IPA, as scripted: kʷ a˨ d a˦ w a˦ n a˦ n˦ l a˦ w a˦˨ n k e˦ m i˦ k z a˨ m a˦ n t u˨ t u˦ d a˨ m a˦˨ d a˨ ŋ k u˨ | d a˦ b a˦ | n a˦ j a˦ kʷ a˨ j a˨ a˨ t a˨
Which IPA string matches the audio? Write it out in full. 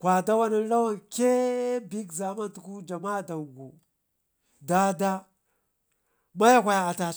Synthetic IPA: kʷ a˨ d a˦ w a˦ n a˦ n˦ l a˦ w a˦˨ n k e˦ b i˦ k z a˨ m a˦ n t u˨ k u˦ d͡ʒ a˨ m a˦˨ d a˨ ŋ ɡ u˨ | d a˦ d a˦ | m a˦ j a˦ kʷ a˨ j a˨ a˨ t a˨